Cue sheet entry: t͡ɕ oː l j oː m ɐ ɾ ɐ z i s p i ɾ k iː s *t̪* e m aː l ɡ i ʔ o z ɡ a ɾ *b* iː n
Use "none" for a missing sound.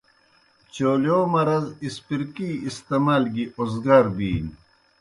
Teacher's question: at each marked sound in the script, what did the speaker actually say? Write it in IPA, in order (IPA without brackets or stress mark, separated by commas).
t̪, b